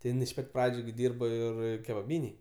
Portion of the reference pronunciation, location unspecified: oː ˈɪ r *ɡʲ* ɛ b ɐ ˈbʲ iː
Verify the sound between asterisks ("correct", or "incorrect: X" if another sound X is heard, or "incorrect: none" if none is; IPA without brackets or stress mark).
incorrect: kʲ